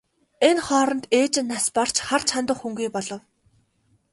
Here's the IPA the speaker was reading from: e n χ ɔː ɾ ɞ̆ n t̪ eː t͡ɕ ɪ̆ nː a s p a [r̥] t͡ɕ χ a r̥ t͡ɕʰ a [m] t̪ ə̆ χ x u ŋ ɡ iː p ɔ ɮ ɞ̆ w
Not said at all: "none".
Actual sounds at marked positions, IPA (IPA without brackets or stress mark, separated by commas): r̥, n